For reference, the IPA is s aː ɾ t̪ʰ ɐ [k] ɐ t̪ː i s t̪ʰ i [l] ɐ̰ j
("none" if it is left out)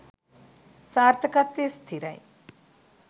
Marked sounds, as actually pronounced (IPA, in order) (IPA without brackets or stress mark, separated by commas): k, ɾ